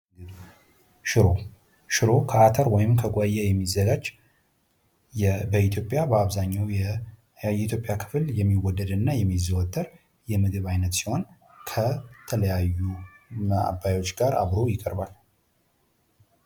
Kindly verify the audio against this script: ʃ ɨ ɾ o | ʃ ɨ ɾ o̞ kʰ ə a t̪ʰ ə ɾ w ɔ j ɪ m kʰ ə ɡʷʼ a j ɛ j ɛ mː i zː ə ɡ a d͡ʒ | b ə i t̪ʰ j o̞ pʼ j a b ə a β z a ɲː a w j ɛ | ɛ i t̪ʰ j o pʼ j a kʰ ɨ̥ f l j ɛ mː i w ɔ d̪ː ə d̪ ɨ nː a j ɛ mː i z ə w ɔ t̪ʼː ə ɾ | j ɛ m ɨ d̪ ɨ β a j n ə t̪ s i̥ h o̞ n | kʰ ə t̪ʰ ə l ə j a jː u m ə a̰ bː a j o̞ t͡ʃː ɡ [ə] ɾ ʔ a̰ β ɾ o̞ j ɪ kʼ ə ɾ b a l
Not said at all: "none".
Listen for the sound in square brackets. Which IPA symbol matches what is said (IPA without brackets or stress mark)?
a